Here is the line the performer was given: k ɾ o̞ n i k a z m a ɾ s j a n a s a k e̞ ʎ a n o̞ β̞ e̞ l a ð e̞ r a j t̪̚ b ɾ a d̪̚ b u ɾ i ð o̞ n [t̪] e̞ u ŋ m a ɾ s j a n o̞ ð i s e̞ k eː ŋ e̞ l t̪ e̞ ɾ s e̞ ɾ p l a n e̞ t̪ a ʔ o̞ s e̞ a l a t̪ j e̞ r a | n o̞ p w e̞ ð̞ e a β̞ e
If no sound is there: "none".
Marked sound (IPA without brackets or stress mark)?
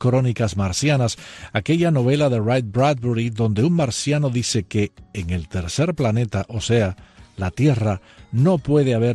d̪